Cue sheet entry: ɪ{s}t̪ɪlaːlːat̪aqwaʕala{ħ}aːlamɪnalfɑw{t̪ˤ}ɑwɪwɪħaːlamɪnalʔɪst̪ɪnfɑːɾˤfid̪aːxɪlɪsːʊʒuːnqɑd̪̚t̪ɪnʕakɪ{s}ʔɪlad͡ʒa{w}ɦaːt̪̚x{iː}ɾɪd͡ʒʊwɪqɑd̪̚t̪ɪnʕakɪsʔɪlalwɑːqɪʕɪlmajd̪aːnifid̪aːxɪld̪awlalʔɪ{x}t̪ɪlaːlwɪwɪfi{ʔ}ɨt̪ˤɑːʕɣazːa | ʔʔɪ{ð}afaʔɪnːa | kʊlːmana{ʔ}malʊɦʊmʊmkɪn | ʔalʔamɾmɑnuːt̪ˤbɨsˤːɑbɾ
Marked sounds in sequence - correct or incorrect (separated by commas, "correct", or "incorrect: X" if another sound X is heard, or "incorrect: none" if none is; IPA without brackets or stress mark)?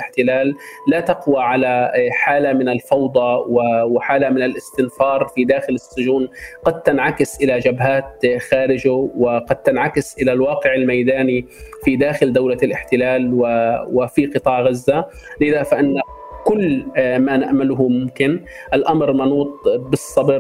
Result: incorrect: ħ, correct, incorrect: d̪ˤ, correct, incorrect: b, incorrect: aː, incorrect: ħ, incorrect: q, correct, correct